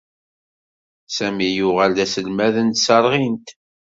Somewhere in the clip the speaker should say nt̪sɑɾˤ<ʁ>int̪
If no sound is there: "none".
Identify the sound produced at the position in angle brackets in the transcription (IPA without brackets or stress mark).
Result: ʁ